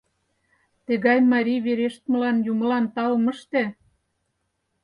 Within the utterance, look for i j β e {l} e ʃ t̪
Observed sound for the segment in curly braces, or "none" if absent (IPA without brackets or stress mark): ɾ